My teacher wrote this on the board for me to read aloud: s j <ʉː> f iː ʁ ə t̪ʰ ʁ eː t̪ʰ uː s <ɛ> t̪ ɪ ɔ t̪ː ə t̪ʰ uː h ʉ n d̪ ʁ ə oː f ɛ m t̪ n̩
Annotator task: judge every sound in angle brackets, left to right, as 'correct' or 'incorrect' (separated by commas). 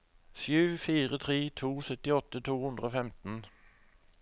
correct, incorrect